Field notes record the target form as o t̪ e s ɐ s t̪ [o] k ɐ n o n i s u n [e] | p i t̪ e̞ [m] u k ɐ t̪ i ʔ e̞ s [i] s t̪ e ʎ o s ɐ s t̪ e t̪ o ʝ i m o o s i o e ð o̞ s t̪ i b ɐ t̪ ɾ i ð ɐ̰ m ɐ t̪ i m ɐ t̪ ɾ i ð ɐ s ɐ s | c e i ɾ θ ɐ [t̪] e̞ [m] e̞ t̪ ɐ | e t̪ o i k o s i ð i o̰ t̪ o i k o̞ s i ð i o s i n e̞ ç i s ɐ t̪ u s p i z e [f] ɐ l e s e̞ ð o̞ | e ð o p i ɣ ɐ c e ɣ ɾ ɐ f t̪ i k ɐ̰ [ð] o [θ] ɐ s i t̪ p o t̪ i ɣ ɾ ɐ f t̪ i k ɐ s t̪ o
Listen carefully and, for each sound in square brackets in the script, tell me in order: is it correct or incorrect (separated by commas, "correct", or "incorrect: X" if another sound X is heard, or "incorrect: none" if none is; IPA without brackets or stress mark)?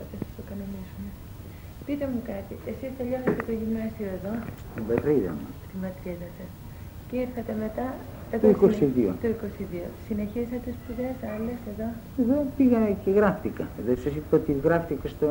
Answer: correct, correct, correct, correct, correct, correct, incorrect: s, correct, incorrect: s